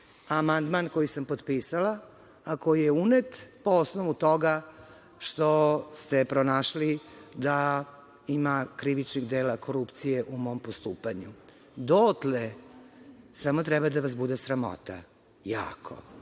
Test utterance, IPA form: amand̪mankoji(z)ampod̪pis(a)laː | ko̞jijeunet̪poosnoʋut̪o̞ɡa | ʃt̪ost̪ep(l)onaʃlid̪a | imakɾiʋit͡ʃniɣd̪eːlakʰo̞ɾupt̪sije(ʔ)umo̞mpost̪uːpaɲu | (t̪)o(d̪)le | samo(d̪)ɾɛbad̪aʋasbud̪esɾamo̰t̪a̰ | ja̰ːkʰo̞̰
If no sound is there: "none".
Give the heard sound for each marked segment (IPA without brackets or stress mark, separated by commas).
s, a, ɾ, ʔ, d̪, t̪, t̪